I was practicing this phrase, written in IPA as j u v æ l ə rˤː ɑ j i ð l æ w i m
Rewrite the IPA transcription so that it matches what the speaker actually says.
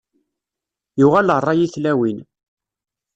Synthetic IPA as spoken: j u ʁ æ l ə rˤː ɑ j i θ l æ w i n